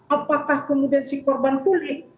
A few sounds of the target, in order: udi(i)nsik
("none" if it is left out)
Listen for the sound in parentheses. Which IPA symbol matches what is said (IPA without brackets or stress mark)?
a